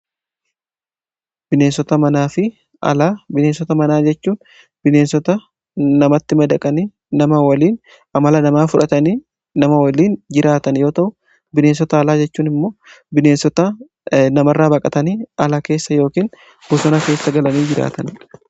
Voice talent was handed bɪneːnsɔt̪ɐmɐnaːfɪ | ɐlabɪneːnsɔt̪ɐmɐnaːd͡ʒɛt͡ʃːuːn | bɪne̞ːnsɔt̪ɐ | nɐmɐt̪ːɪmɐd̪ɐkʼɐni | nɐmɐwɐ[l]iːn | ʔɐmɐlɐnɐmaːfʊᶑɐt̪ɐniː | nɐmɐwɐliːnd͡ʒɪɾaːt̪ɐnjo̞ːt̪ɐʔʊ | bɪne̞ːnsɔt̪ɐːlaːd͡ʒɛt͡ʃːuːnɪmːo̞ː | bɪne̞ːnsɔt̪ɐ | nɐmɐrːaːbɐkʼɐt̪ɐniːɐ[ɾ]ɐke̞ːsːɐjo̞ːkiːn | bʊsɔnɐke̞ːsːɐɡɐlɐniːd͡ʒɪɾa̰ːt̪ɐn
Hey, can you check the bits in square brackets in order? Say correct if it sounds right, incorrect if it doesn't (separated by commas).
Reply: correct, incorrect